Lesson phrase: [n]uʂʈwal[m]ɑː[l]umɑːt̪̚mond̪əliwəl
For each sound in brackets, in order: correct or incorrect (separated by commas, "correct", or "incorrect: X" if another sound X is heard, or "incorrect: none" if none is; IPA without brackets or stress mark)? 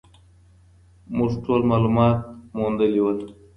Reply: incorrect: m, correct, correct